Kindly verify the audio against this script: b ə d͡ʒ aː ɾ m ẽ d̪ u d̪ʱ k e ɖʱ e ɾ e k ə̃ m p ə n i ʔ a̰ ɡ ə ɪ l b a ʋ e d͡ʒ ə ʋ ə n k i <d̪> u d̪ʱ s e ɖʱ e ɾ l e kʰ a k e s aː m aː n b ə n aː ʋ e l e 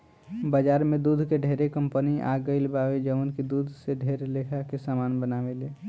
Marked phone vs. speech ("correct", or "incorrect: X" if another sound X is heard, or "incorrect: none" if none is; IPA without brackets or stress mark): correct